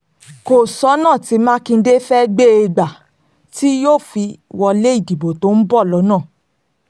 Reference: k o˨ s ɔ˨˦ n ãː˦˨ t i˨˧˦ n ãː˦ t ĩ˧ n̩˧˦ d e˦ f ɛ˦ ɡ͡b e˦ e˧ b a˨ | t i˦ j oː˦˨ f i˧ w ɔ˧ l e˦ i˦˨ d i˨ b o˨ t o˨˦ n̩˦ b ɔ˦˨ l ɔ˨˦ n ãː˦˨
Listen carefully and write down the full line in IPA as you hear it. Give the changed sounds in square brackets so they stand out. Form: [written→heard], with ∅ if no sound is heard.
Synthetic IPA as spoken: k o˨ s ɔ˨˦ n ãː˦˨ t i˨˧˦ [n→m] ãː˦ [t→k] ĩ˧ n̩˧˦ d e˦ f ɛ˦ ɡ͡b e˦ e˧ [b→ɡ͡b] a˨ | t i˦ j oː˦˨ f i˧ w ɔ˧ l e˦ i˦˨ d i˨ b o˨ t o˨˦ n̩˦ b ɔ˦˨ l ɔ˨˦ n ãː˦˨

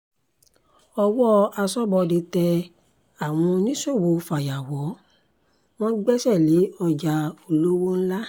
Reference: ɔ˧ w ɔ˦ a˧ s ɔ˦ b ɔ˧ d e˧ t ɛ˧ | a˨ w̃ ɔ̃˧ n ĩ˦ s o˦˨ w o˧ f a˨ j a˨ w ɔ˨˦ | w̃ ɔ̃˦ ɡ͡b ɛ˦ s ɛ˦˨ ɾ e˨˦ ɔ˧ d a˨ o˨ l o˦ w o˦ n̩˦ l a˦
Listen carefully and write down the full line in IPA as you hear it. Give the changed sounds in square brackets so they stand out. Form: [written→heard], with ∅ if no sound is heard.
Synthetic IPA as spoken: ɔ˧ w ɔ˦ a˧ s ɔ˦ b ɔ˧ d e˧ t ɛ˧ | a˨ w̃ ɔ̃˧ n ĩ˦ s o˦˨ w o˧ f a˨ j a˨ w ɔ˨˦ | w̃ ɔ̃˦ ɡ͡b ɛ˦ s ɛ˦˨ [ɾ→l] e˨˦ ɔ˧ [d→d͡ʒ] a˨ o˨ l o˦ w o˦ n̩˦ l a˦

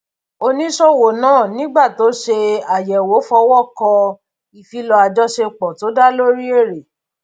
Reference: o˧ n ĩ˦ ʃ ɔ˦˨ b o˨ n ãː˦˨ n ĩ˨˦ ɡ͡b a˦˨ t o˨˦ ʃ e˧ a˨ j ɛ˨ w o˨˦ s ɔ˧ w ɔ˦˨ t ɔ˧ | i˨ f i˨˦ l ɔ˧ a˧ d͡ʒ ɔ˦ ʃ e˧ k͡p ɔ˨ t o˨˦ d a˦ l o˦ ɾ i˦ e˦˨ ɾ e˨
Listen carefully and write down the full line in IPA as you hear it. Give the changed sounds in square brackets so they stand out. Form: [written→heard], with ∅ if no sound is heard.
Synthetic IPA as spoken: o˧ n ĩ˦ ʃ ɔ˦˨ [b→w] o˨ n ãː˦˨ n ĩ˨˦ ɡ͡b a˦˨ t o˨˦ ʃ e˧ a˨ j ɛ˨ w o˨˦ [s→f] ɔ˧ w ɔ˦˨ [t→k] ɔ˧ | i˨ f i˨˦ l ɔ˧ a˧ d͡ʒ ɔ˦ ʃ e˧ k͡p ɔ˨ t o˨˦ d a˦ l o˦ ɾ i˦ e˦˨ ɾ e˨

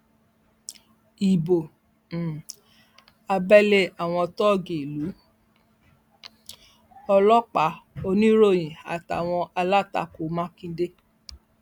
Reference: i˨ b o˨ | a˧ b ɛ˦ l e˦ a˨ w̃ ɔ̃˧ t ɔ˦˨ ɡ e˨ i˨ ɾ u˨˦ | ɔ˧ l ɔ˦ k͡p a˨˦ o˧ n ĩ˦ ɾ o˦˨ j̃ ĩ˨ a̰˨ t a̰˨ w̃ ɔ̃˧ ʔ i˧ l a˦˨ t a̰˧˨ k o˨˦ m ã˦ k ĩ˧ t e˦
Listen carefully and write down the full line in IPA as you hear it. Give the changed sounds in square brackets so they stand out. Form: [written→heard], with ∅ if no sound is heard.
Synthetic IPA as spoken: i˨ b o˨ | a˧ b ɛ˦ l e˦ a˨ w̃ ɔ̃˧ t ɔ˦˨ ɡ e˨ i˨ [ɾ→l] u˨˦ | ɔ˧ l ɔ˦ k͡p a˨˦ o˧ n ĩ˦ ɾ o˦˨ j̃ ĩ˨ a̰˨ t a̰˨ w̃ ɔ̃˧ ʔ [i˧→a˧] l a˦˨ t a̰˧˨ k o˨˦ m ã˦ k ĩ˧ [t→d] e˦

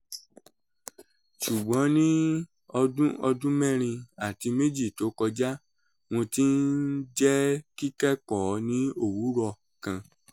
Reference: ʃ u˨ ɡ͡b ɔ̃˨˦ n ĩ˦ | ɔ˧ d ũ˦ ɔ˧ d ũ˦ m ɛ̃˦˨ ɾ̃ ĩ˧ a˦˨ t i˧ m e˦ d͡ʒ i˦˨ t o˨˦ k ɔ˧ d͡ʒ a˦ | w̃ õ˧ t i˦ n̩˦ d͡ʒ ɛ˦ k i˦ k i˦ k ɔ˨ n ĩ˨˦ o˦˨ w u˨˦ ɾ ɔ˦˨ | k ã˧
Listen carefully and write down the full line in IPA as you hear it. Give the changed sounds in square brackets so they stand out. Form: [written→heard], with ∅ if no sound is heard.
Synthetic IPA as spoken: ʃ u˨ ɡ͡b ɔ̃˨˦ n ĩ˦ | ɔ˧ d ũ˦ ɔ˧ d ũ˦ m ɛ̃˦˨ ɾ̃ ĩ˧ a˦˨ t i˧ m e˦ d͡ʒ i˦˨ t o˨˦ k ɔ˧ d͡ʒ a˦ | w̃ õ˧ t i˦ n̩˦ d͡ʒ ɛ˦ k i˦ k [i˦→ɛ˦] k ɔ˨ n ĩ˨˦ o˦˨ w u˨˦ ɾ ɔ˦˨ | k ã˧

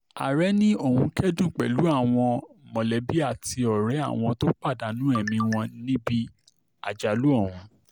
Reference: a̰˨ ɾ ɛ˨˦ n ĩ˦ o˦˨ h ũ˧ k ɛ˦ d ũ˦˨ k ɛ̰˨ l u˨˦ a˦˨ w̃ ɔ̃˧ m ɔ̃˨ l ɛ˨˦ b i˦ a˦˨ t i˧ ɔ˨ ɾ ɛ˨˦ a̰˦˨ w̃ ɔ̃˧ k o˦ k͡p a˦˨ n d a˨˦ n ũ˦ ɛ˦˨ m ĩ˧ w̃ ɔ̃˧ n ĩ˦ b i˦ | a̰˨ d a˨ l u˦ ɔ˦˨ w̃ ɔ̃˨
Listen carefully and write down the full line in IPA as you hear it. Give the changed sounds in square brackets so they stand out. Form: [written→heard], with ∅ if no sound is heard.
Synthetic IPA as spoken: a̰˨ ɾ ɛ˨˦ n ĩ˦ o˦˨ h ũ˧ k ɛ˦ d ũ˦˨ [k→k͡p] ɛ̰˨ l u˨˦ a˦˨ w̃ ɔ̃˧ m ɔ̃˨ l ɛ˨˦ b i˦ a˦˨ t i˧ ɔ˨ ɾ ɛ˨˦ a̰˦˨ w̃ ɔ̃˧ [k→t] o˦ k͡p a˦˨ [n→∅] d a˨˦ n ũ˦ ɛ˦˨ m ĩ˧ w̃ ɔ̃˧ n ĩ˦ b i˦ | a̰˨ [d→d͡ʒ] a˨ l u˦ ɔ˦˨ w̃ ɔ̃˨

